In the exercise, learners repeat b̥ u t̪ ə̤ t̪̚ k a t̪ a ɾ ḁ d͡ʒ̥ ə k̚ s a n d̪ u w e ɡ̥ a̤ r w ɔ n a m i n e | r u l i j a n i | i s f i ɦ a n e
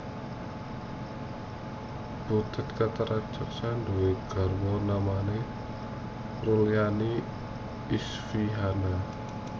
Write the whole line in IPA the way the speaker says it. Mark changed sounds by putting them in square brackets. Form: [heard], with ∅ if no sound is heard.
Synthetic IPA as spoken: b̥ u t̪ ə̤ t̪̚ k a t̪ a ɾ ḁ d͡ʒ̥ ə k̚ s a n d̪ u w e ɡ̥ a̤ r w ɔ n a m [a] n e | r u l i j a n i | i s f i ɦ a n [a]